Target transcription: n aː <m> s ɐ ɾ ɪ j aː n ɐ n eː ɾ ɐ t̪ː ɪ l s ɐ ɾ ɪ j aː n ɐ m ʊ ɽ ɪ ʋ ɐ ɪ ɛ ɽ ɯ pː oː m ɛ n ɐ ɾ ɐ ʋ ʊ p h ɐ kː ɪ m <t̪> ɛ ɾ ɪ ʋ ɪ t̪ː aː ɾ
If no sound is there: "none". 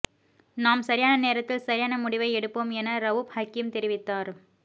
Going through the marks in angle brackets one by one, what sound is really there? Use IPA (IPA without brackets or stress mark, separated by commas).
m, t̪